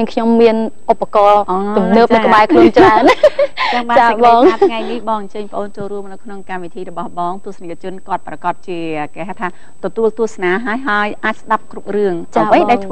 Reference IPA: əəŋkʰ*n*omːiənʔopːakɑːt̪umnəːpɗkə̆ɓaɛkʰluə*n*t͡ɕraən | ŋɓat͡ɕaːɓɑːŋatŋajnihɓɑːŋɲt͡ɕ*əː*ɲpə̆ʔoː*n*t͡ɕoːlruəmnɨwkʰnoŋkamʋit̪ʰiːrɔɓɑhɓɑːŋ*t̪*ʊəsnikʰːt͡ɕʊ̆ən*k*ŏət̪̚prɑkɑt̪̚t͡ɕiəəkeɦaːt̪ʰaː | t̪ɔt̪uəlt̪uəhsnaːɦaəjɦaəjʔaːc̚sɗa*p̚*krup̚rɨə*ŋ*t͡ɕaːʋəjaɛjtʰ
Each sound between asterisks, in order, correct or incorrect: incorrect: ɲ, correct, correct, correct, correct, correct, correct, correct

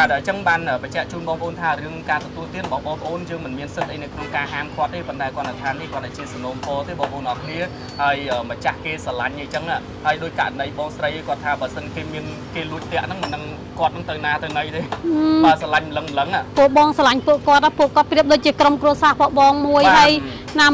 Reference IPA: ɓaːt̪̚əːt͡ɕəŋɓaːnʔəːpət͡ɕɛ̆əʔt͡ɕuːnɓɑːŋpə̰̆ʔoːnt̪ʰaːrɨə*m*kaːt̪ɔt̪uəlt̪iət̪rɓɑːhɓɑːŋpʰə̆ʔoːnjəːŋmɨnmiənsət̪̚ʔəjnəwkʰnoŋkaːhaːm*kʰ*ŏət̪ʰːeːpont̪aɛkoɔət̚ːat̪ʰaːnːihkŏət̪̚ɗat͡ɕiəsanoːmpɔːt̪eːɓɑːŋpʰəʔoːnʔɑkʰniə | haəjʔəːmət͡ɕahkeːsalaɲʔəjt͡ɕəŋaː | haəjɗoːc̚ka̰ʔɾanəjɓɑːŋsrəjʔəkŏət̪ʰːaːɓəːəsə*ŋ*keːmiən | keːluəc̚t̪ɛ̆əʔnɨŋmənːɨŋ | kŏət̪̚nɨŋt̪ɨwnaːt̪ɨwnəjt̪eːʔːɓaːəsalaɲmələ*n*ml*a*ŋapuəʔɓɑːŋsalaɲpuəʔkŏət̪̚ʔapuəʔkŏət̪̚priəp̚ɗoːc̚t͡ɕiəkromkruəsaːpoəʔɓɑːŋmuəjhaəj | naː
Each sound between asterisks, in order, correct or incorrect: incorrect: ŋ, correct, incorrect: n, incorrect: ŋ, incorrect: ə

